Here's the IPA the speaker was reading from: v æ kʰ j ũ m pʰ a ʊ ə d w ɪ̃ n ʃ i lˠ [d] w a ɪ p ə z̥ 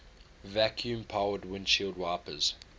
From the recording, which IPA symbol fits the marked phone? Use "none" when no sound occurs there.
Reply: d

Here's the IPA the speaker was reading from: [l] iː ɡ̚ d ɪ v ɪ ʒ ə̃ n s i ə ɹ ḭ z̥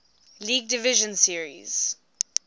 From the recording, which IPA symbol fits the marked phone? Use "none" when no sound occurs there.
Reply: l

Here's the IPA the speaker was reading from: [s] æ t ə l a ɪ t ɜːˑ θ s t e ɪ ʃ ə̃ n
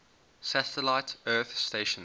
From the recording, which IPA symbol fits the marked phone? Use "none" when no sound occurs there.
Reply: s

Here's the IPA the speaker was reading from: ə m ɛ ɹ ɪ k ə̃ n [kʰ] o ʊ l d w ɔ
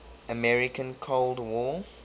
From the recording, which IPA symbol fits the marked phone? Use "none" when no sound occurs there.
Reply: kʰ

